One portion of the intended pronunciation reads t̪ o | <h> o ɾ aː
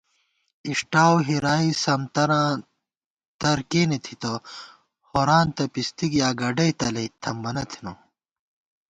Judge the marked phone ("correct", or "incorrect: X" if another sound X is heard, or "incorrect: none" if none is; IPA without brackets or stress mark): correct